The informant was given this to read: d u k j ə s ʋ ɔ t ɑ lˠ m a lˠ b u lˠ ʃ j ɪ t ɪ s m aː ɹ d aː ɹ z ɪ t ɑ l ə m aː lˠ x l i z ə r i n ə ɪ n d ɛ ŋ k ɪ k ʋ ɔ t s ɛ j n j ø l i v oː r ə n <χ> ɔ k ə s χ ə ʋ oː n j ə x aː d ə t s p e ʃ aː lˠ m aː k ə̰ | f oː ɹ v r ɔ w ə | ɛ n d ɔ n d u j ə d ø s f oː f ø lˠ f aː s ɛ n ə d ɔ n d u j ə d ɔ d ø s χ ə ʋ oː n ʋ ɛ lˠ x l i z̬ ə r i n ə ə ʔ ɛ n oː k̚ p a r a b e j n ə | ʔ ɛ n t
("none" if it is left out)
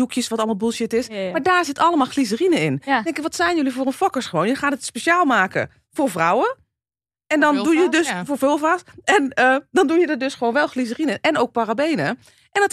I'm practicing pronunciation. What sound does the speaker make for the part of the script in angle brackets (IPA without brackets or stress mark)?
f